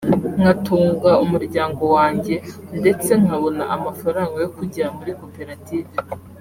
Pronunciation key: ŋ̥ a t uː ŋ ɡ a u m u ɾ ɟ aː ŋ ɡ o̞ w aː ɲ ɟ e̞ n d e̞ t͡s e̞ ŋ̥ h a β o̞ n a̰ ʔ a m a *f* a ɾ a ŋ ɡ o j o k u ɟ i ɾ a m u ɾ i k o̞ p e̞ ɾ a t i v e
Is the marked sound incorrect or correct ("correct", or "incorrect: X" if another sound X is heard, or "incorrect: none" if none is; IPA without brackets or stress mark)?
correct